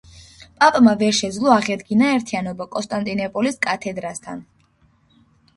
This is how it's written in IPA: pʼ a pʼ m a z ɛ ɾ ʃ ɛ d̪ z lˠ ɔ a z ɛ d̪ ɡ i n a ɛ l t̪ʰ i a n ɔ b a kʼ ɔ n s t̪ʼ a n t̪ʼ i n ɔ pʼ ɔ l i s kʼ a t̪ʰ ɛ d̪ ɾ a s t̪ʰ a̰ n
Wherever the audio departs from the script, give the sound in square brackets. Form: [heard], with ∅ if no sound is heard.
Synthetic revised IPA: pʼ a pʼ m a [v] ɛ ɾ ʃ ɛ d̪ z lˠ ɔ a [ʁ] ɛ d̪ ɡ i n a ɛ [ɾ] t̪ʰ i a n ɔ b a kʼ ɔ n s t̪ʼ a n t̪ʼ i n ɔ pʼ ɔ l i s kʼ a t̪ʰ ɛ d̪ ɾ a s t̪ʰ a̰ n